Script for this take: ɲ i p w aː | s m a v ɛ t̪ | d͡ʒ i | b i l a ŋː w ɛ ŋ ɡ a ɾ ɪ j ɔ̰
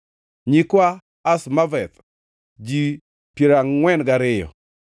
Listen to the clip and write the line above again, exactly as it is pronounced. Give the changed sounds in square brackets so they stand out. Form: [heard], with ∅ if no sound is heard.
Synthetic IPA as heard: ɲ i [k] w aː | s m a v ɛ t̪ | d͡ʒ i | [p] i [ɾ] a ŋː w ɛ [n] ɡ a ɾ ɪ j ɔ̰